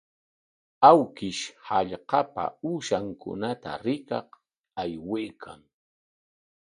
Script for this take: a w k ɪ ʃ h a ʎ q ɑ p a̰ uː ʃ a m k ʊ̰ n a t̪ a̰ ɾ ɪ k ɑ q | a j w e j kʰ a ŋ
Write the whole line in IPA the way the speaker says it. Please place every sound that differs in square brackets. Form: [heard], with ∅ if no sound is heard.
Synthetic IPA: a w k ɪ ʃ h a ʎ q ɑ p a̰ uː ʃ a [ŋ] k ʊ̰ n a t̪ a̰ ɾ ɪ k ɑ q | a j w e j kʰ a ŋ